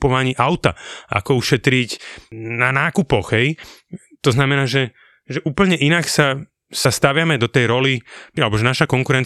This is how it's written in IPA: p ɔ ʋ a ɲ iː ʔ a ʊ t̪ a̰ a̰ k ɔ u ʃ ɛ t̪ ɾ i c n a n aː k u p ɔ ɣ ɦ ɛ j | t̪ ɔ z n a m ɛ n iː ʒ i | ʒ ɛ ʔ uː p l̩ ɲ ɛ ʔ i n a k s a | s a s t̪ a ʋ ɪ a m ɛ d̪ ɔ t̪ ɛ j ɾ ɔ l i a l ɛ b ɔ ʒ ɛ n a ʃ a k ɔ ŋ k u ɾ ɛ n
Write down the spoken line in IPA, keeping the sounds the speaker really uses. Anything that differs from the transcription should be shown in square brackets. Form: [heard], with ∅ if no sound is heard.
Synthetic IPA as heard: p ɔ ʋ a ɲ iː ʔ a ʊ t̪ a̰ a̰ k ɔ u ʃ ɛ t̪ ɾ i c n a n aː k u p ɔ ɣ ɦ ɛ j | t̪ ɔ z n a m ɛ n [aː] ʒ [ɛ] | ʒ ɛ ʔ uː p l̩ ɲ ɛ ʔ i n a k s a | s a s t̪ a ʋ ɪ a m ɛ d̪ ɔ t̪ ɛ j ɾ ɔ l i a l ɛ b ɔ ʒ ɛ n a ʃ a k ɔ ŋ k u ɾ ɛ n